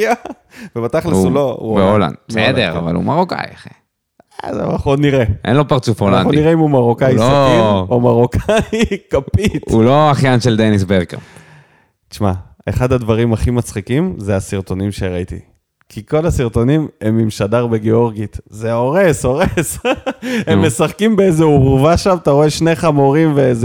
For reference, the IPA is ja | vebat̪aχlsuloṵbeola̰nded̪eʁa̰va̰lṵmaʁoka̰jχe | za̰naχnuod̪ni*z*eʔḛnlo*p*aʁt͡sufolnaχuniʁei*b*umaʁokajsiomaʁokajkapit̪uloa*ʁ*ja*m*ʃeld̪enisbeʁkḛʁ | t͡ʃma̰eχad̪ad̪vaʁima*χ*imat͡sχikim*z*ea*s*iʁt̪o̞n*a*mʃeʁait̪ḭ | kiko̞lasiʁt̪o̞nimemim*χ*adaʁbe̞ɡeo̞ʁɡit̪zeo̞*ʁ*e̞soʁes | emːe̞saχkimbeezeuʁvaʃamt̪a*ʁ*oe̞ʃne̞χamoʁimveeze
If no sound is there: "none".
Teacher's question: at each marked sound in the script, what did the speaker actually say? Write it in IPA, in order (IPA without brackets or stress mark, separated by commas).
ʁ, p, m, χ, n, χ, z, s, i, ʃ, ʁ, ʁ